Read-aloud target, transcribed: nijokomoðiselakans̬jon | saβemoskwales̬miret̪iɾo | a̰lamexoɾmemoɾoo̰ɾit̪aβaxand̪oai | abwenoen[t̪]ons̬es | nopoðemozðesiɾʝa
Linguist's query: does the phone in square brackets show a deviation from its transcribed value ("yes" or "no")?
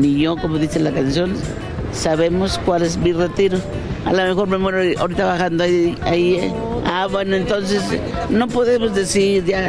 no